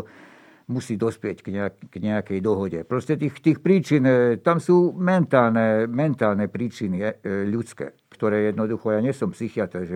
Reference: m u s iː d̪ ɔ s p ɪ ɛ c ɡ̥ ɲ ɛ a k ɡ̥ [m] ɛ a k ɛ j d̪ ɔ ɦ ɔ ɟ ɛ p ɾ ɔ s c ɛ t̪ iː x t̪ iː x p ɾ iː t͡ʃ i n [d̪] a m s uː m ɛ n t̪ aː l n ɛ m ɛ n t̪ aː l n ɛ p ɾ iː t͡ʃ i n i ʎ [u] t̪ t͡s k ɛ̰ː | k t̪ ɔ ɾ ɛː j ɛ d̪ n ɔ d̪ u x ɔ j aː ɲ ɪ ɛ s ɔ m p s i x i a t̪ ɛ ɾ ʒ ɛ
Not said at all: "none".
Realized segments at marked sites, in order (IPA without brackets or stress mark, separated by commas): ɲ, t̪, u